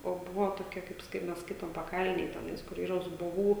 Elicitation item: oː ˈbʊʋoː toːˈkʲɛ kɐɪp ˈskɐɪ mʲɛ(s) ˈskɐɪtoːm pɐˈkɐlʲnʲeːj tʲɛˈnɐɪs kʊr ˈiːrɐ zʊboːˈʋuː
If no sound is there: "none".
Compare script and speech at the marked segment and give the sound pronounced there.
s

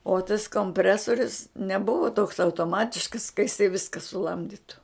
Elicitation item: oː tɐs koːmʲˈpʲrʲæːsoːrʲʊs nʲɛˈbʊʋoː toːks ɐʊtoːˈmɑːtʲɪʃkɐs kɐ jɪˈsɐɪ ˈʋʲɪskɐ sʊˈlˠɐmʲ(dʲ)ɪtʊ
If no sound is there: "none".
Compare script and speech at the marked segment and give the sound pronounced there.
dʲ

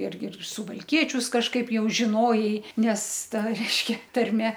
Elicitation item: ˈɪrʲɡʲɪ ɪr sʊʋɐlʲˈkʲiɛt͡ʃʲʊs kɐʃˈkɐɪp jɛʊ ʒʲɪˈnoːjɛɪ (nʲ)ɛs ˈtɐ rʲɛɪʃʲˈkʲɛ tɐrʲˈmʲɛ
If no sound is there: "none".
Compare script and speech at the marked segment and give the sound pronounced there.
nʲ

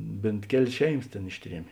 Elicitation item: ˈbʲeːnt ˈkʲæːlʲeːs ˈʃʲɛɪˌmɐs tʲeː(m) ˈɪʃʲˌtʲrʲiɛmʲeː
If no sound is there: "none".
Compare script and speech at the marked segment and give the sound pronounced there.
n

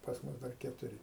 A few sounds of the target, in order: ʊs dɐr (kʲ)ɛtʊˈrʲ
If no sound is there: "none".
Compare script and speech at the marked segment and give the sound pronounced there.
kʲ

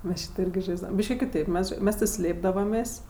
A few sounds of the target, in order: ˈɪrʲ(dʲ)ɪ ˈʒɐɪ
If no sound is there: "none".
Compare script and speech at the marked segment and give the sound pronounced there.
ɡʲ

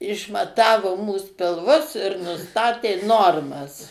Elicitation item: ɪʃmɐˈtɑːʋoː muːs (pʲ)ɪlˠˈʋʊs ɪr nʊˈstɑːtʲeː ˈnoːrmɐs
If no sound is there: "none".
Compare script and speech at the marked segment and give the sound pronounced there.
pʲ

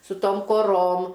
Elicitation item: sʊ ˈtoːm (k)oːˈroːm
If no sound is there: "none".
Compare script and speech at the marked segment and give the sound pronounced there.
k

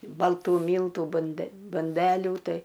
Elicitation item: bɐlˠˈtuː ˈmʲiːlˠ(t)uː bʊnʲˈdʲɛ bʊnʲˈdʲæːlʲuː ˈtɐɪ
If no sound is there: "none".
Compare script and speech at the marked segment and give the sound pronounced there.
t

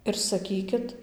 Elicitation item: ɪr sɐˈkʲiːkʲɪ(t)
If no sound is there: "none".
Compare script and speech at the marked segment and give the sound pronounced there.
t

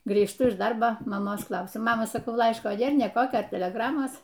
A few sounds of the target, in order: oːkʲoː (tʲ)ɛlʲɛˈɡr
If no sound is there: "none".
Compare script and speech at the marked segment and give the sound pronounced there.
tʲ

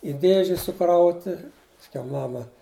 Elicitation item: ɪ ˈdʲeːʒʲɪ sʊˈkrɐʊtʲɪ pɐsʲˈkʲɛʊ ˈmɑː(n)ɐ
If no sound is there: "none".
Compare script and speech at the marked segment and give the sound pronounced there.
m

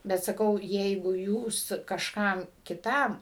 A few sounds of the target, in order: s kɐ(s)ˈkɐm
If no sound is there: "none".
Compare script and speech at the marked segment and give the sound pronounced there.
ʃ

